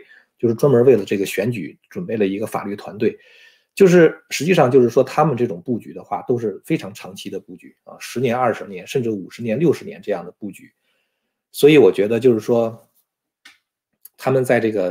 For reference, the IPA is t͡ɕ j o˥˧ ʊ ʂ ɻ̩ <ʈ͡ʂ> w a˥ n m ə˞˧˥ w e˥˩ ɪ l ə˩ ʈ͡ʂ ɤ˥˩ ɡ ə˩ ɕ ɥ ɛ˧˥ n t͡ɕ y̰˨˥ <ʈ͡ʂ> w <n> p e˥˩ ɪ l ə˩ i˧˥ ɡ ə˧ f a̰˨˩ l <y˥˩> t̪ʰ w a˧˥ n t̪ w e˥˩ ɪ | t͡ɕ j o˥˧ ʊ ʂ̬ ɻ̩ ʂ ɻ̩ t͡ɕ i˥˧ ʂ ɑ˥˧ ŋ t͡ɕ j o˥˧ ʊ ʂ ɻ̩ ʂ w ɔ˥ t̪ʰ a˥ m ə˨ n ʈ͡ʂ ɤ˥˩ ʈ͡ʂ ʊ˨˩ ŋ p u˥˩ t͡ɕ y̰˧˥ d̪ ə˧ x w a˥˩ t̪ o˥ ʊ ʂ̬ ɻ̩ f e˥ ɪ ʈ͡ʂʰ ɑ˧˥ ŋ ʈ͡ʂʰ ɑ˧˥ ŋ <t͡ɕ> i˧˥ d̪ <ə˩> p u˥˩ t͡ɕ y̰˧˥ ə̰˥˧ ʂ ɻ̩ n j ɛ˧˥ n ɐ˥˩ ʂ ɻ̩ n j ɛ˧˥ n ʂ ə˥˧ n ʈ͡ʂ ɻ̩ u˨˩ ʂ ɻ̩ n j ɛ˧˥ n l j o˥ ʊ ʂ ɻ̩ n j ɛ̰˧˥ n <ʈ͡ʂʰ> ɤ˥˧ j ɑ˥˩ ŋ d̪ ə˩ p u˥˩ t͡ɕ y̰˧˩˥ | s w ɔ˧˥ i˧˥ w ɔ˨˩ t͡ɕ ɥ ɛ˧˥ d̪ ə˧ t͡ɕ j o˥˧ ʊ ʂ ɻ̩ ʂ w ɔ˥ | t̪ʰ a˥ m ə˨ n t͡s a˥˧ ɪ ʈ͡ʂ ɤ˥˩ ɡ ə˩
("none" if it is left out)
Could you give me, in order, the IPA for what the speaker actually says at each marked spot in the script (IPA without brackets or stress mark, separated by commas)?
ʈ͡ʂ, ʈ͡ʂ, n, y˥˩, t͡ɕʰ, ə˧, ʈ͡ʂ